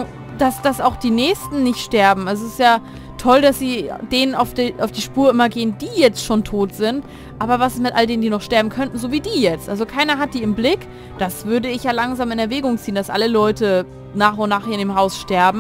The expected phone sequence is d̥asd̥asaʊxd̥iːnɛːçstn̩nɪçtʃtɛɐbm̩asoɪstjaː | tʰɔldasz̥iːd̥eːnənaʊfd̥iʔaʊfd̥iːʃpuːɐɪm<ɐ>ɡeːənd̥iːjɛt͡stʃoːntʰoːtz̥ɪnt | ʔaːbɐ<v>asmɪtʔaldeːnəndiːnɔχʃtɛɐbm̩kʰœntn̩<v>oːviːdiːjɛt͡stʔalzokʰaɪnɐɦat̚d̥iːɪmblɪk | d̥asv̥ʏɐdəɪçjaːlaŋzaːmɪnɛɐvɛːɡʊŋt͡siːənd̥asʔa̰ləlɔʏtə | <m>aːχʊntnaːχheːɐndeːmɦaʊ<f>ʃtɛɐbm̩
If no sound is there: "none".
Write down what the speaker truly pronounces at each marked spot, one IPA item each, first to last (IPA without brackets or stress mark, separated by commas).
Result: ɐ, v, z, n, s